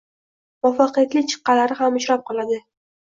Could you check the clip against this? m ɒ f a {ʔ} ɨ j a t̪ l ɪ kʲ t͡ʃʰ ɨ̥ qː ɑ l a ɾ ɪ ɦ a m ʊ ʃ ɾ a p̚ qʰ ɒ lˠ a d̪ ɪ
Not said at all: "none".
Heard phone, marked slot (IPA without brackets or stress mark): q